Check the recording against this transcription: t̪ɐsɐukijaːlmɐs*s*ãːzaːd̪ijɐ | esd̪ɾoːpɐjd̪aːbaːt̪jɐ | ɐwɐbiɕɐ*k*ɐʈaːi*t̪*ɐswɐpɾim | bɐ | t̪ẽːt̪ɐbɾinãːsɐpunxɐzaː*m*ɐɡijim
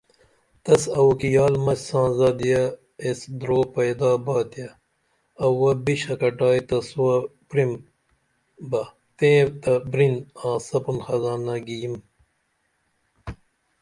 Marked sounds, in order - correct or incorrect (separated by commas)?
correct, correct, correct, incorrect